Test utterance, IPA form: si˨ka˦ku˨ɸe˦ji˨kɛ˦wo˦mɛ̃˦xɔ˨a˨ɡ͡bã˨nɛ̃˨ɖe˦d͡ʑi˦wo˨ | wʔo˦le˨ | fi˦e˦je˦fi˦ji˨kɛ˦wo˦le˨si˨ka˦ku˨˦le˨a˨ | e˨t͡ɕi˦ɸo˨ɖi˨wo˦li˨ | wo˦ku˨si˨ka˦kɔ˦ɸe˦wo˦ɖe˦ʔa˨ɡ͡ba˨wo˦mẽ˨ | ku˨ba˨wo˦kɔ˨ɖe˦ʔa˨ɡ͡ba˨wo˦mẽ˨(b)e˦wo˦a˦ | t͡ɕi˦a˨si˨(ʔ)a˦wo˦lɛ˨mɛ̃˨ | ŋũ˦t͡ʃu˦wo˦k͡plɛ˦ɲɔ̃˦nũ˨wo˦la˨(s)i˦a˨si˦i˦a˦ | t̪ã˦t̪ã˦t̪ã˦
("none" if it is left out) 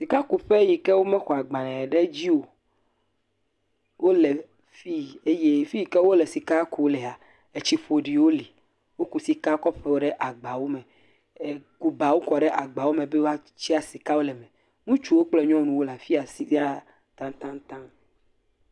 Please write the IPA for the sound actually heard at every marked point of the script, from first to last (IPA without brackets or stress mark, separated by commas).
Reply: b, k, f